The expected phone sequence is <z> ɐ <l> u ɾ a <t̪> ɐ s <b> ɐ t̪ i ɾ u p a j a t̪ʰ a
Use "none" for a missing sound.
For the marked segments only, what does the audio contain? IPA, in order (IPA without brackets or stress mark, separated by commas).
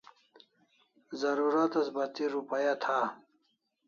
z, ɾ, t̪, b